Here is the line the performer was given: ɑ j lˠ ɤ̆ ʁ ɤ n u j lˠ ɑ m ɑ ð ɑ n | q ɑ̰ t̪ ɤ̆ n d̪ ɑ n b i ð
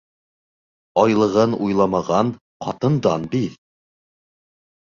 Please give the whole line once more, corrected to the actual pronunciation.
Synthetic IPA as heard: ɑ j lˠ ɤ̆ ʁ ɤ n u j lˠ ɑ m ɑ ʁ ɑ n | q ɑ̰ t̪ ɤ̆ n d̪ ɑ n b i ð